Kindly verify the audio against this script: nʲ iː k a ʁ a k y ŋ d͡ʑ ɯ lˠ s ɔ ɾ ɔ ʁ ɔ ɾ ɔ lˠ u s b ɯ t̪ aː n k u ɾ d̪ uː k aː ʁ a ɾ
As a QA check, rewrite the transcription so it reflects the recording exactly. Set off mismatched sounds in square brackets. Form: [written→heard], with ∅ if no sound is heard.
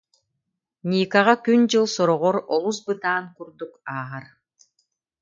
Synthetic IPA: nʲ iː k a ʁ a k y [ŋ→n] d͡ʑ ɯ lˠ s ɔ ɾ ɔ ʁ ɔ ɾ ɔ lˠ u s b ɯ t̪ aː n k u ɾ d̪ [uː→u] k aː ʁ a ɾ